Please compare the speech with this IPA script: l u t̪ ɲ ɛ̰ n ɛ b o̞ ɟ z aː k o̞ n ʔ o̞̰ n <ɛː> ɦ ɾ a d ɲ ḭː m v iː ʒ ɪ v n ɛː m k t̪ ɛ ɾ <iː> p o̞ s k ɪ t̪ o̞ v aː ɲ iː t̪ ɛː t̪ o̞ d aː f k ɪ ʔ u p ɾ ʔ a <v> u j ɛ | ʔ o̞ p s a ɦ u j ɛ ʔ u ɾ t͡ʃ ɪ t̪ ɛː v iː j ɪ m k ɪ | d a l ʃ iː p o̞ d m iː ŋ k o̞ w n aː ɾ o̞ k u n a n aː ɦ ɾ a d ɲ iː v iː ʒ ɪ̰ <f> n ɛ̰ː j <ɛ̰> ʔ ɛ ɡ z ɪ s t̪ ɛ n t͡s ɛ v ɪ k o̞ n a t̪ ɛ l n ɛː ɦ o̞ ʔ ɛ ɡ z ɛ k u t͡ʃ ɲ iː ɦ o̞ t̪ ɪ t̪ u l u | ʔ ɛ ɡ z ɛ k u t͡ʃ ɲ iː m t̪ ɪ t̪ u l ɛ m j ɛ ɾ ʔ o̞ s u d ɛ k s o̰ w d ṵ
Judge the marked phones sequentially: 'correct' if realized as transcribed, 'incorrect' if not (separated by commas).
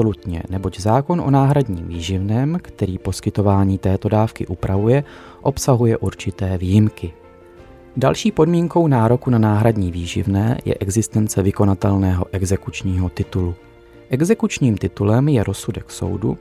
incorrect, correct, correct, incorrect, correct